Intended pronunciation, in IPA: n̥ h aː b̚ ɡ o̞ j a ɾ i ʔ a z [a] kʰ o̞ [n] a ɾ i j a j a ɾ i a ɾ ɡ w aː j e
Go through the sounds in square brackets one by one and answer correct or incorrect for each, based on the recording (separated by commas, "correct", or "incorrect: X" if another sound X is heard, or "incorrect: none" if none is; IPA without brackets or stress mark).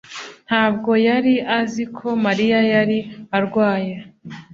incorrect: i, incorrect: m